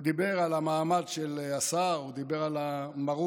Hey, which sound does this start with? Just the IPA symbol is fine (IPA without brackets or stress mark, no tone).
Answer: d̪